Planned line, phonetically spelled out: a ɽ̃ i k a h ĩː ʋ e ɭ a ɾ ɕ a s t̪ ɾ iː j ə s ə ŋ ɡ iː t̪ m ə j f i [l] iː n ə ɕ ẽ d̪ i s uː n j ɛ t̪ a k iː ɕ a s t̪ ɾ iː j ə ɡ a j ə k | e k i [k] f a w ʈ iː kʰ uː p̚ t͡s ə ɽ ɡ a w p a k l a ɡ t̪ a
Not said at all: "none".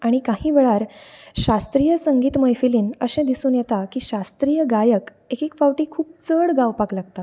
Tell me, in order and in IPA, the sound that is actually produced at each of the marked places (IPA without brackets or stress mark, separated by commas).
l, k